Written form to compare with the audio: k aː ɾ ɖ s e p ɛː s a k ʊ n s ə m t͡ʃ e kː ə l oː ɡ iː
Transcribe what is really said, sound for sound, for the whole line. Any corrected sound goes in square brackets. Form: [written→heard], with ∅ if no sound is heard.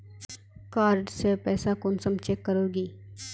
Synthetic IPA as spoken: k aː ɾ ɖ s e p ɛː s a k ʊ n s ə m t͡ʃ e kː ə [l→ɾ] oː ɡ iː